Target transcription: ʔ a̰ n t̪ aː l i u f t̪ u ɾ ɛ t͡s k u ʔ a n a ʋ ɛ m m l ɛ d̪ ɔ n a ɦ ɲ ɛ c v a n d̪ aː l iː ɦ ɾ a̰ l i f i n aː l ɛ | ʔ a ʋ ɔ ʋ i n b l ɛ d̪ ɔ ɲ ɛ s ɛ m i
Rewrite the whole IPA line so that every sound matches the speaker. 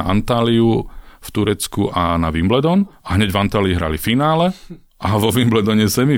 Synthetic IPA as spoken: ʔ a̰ n t̪ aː l i u f t̪ u ɾ ɛ t͡s k u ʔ a n a ʋ i m b l ɛ d̪ ɔ n a ɦ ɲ ɛ ɟ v a n t̪ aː l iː ɦ ɾ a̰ l i f i n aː l ɛ | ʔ a ʋ ɔ ʋ i m b l ɛ d̪ ɔ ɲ ɛ s ɛ m i